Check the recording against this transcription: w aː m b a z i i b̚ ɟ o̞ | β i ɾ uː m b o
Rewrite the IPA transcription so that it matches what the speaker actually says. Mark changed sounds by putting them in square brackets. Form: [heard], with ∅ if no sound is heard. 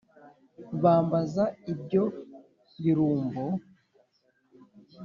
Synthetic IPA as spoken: [β] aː m b a z [a] i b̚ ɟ o̞ | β i ɾ uː m b o